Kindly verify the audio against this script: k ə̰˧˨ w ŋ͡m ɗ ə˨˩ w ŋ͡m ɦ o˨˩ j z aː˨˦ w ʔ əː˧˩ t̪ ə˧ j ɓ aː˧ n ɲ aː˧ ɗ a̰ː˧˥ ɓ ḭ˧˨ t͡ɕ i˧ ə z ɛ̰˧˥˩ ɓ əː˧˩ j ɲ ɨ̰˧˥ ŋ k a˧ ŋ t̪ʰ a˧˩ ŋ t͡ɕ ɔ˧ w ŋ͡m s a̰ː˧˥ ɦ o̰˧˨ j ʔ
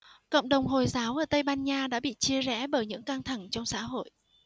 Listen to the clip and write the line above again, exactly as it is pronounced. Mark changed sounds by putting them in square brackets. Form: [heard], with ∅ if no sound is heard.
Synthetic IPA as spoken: k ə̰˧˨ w ŋ͡m ɗ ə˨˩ w ŋ͡m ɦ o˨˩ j z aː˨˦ w ʔ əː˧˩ t̪ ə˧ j ɓ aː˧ n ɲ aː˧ ɗ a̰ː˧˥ ɓ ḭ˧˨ t͡ɕ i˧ ə z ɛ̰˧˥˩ ɓ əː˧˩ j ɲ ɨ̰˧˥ ŋ k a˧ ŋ t̪ʰ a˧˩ ŋ t͡ɕ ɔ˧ w ŋ͡m s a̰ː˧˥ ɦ o̰˧˨ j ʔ